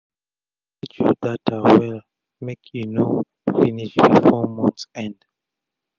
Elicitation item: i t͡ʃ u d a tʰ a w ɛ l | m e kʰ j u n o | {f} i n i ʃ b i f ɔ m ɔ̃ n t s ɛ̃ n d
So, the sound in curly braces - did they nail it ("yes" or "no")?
yes